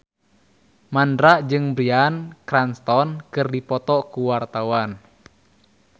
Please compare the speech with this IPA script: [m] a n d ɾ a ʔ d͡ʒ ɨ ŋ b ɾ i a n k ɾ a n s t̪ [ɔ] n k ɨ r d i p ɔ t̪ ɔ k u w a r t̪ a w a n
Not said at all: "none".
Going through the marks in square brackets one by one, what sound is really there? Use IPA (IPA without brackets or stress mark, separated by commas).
m, ɔ